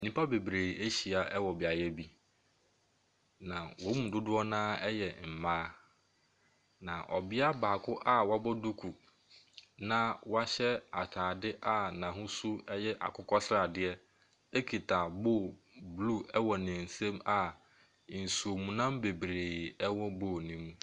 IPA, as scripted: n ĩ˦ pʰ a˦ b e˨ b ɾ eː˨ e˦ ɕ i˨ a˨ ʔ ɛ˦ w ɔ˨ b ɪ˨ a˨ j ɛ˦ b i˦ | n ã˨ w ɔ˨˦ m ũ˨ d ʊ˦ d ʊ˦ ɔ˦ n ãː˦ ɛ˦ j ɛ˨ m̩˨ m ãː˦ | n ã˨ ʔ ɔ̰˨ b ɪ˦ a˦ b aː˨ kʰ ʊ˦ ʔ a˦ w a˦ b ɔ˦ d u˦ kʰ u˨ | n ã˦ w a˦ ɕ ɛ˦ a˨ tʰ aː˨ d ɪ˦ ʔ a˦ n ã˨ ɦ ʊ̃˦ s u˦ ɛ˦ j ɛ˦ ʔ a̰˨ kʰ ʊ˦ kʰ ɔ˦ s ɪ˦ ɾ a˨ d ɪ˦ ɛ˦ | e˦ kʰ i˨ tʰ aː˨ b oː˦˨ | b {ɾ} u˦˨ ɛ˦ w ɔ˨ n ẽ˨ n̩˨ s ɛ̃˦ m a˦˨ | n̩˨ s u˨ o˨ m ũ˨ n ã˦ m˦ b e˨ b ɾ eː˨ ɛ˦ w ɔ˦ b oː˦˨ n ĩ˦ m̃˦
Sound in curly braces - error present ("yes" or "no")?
yes